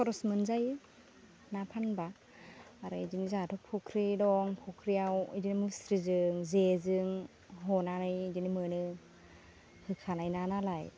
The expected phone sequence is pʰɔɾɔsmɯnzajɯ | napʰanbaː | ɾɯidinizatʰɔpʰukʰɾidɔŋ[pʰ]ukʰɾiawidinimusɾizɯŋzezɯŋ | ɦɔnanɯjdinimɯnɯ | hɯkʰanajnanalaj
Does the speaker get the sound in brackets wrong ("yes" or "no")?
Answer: no